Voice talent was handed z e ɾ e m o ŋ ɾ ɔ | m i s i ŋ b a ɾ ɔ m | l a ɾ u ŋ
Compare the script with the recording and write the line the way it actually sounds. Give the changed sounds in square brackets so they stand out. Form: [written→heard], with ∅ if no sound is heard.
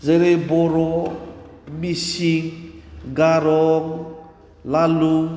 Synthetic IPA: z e ɾ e [m→b] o [ŋ→∅] ɾ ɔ | m i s i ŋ [b→ɡ] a ɾ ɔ [m→ŋ] | l a [ɾ→l] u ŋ